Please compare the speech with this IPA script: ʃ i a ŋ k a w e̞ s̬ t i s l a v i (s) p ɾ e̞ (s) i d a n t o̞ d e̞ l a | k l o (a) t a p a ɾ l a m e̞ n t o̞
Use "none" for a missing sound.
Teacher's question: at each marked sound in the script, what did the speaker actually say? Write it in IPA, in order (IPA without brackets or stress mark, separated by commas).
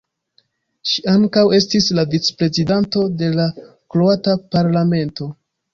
t͡s, z, a